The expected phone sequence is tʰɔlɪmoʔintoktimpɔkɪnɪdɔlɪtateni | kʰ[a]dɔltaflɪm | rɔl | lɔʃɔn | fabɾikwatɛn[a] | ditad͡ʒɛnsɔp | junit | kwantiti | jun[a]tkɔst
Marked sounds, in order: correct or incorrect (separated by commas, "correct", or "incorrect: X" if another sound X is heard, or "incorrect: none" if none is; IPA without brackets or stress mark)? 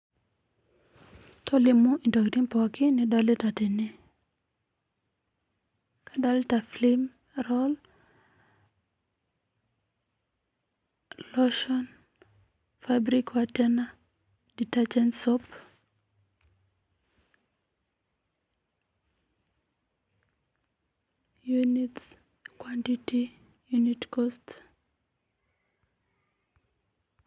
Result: correct, correct, incorrect: i